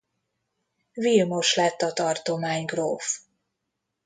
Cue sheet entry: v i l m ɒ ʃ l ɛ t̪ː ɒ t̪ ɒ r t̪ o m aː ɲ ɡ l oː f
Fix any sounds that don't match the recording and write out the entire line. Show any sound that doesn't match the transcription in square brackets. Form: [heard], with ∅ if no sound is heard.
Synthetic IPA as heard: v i l m [o] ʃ l ɛ t̪ː ɒ t̪ ɒ r t̪ o m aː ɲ ɡ [r] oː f

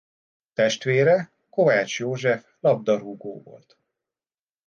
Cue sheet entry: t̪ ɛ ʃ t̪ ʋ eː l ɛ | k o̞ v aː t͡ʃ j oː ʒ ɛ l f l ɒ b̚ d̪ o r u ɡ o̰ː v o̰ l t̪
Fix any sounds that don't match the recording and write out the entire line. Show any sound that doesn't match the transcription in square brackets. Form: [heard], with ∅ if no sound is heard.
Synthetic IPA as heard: t̪ ɛ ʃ t̪ ʋ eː [ɾ] ɛ | k o̞ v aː t͡ʃ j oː ʒ ɛ [∅] f l ɒ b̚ d̪ [ɒ] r u ɡ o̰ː v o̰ l t̪

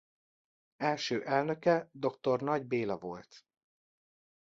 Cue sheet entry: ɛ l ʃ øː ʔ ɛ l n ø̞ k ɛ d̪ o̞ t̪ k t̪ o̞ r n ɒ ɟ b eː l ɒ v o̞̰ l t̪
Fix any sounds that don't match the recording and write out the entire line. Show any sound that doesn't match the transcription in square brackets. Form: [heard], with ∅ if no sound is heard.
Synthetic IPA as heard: ɛ l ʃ øː ʔ ɛ l n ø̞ k ɛ d̪ o̞ [∅] k t̪ o̞ r n ɒ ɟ b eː l ɒ v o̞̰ l t̪

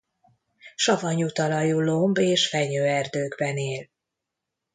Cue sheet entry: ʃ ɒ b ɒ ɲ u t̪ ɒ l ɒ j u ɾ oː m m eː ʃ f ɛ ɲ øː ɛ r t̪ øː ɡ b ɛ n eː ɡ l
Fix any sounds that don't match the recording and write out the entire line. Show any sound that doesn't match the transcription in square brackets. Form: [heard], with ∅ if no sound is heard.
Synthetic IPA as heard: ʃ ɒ [v] ɒ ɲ u t̪ ɒ l ɒ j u [l] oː m [b] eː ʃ f ɛ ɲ øː ɛ r [d̪] øː ɡ b ɛ n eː [∅] l

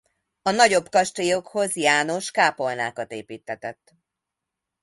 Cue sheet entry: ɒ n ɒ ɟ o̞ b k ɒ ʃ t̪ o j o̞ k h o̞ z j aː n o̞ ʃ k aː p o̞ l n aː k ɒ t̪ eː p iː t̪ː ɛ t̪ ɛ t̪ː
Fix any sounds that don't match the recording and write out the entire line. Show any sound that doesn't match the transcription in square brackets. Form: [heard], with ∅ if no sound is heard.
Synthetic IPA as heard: ɒ n ɒ ɟ o̞ b k ɒ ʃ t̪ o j o̞ k h o̞ z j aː n o̞ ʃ k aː p o̞ l n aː k ɒ t̪ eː p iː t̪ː ɛ t̪ ɛ t̪ː

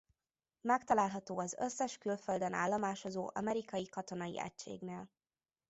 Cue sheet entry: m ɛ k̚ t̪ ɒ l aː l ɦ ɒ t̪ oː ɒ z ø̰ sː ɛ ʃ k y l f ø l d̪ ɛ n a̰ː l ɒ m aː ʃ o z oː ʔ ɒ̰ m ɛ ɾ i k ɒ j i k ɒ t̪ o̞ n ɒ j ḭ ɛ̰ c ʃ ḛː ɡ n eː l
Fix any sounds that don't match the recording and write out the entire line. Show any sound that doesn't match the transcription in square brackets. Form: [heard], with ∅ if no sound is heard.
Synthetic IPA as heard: m ɛ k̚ t̪ ɒ l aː l ɦ ɒ t̪ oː ɒ z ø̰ sː ɛ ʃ k y l f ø l d̪ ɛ n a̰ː [lː] ɒ m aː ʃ o z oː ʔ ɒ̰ m ɛ ɾ i k ɒ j i k ɒ t̪ o̞ n ɒ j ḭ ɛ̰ c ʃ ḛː ɡ n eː l

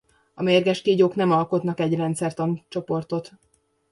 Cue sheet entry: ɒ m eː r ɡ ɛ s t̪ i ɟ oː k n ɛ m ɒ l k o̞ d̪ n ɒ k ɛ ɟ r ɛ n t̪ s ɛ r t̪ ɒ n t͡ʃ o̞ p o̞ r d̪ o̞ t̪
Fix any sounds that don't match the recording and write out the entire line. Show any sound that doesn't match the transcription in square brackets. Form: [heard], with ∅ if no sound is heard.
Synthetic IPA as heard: ɒ m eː r ɡ ɛ [ʃ] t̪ i ɟ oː k n ɛ m ɒ l k o̞ [t̪] n ɒ k ɛ ɟ r ɛ n t̪ s ɛ r t̪ ɒ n t͡ʃ o̞ p o̞ r [t̪] o̞ t̪

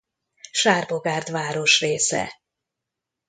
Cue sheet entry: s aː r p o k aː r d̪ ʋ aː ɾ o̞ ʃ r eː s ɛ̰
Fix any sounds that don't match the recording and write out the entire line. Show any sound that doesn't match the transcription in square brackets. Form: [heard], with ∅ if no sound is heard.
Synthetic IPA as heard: [ʃ] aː r [b] o [ɡ] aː r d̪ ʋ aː ɾ o̞ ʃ r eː s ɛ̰

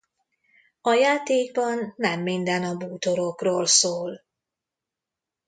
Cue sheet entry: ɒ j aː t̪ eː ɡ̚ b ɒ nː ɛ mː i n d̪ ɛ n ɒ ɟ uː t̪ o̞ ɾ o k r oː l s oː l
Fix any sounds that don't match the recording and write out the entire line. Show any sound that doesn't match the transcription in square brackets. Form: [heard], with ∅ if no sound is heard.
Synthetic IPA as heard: ɒ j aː t̪ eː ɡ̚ b ɒ nː ɛ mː i n d̪ ɛ n ɒ [b] uː t̪ o̞ ɾ o k r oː l s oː l

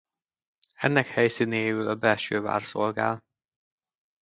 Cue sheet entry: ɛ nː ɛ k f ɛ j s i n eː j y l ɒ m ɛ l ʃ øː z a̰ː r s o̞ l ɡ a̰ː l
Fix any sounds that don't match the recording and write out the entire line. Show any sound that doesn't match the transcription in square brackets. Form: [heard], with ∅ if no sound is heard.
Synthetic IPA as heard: ɛ nː ɛ k [h] ɛ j s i n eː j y l ɒ [b] ɛ l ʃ øː [v] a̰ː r s o̞ l ɡ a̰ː l

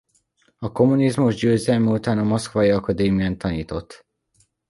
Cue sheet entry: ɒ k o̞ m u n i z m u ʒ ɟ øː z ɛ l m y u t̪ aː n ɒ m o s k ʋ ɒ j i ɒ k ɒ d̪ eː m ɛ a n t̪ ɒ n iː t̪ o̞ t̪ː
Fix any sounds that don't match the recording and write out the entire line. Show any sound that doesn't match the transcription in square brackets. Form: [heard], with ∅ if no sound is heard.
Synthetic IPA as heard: ɒ k o̞ m u n i z m u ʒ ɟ øː z ɛ l m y u t̪ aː n ɒ m o s k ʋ ɒ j i ɒ k ɒ d̪ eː m [i] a n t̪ ɒ n iː t̪ o̞ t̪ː

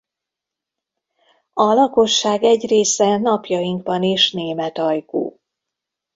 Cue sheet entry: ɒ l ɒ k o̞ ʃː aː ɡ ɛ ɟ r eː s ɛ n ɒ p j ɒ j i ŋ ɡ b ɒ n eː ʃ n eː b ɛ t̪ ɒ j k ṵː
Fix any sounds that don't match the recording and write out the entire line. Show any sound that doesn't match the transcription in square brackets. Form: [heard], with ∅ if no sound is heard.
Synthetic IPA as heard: ɒ l ɒ k o̞ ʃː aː ɡ ɛ ɟ r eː s ɛ n ɒ p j ɒ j i ŋ ɡ b ɒ n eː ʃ n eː [m] ɛ t̪ ɒ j k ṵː

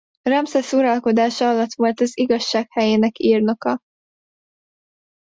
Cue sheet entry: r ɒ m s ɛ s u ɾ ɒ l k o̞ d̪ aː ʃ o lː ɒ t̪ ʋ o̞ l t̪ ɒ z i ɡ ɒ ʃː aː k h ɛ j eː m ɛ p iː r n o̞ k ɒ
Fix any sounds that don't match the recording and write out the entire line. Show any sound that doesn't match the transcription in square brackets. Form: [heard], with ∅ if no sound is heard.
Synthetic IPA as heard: r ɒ m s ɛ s u ɾ ɒ l k o̞ d̪ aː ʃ [ɒ] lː ɒ t̪ ʋ o̞ l t̪ ɒ z i ɡ ɒ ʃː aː k h ɛ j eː [n] ɛ [k] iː r n o̞ k ɒ

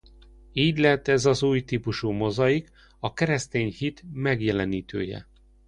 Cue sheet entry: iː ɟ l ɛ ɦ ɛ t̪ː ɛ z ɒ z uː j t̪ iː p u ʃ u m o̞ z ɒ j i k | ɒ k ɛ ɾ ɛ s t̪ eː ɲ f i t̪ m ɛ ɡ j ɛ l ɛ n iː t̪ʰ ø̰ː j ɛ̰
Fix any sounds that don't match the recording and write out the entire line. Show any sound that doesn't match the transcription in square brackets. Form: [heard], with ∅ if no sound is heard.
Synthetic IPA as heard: iː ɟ l ɛ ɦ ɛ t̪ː ɛ z ɒ z uː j t̪ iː p u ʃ u m o̞ z ɒ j i k | ɒ k ɛ ɾ ɛ s t̪ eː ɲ [h] i t̪ m ɛ ɡ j ɛ l ɛ n iː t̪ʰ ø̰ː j ɛ̰

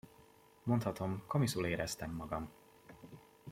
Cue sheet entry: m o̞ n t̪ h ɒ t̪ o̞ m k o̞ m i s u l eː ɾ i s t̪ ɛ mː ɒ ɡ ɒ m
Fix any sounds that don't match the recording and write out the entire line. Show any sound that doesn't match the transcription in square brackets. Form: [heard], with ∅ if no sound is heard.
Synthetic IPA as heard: m o̞ n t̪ h ɒ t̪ o̞ m k o̞ m i s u l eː ɾ [ɛ] s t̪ ɛ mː ɒ ɡ ɒ m

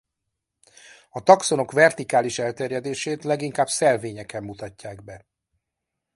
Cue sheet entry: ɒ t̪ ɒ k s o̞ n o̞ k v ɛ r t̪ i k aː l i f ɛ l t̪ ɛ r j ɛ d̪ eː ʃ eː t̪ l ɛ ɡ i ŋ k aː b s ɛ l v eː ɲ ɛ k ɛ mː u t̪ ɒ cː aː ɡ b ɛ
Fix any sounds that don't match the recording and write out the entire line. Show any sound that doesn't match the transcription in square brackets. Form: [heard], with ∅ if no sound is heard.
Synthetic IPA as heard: ɒ t̪ ɒ k s o̞ n o̞ k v ɛ r t̪ i k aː l i [ʃ] ɛ l t̪ ɛ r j ɛ d̪ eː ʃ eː t̪ l ɛ ɡ i ŋ k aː b s ɛ l v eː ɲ ɛ k ɛ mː u t̪ ɒ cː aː ɡ b ɛ

